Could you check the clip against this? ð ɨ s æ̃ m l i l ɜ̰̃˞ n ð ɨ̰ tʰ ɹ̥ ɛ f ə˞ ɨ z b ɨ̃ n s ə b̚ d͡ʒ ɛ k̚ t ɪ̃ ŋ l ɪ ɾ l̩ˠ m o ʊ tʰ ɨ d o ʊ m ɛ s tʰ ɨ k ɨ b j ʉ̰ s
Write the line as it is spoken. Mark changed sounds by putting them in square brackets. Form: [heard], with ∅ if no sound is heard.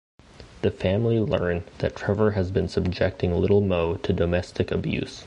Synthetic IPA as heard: ð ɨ [f] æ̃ m l i l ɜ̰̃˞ n ð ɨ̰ tʰ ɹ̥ ɛ [v] ə˞ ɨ z b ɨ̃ n s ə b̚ d͡ʒ ɛ k̚ t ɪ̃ ŋ l ɪ ɾ l̩ˠ m o ʊ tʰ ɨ d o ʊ m ɛ s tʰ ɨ k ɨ b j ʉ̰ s